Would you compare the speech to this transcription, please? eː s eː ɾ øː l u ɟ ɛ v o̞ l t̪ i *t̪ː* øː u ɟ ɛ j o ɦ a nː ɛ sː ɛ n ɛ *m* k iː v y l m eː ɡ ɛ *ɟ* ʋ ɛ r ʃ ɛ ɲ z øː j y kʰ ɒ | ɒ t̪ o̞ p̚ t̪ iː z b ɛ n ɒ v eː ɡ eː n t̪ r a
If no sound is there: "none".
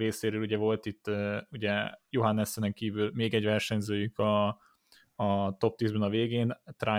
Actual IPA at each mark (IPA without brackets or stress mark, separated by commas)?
t̪ː, ŋ, ɟ